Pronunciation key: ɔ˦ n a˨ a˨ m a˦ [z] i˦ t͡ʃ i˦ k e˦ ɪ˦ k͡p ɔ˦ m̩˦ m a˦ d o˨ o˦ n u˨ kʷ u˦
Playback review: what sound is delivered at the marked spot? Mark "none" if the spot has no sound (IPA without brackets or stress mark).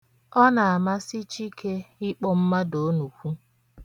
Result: s